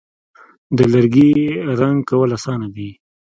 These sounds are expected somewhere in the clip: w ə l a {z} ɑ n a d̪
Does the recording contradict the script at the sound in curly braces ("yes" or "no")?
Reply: yes